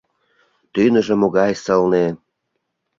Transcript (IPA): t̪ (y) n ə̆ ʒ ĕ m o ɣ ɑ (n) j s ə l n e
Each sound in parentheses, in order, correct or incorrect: correct, incorrect: none

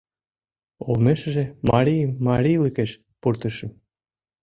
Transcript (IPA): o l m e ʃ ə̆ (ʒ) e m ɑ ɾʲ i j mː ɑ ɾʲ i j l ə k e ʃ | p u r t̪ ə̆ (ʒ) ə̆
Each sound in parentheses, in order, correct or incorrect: correct, incorrect: ʃ

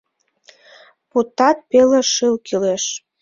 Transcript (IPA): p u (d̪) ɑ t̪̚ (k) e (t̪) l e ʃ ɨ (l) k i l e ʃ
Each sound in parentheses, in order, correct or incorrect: incorrect: t̪, incorrect: p, incorrect: none, correct

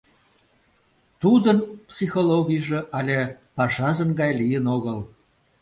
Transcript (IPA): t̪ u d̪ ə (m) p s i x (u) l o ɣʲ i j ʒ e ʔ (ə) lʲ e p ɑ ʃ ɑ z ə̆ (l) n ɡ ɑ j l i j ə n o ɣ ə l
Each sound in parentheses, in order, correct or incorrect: incorrect: n, incorrect: o, incorrect: ɑ, incorrect: none

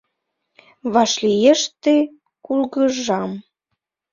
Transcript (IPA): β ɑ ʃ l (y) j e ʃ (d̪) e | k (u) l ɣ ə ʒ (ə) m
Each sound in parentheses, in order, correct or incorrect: incorrect: i, incorrect: t̪, correct, incorrect: ɑ

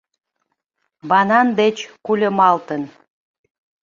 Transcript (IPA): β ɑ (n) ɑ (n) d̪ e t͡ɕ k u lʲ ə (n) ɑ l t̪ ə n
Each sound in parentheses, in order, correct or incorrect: correct, correct, incorrect: m

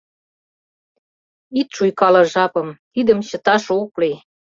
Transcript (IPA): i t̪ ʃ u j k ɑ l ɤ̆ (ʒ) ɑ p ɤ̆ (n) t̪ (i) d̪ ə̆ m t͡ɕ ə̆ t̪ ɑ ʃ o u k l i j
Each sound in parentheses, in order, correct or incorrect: correct, incorrect: m, correct

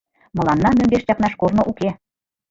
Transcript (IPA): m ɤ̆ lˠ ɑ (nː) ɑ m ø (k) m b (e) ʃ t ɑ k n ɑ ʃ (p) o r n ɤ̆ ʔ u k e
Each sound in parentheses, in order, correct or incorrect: correct, incorrect: none, correct, incorrect: k

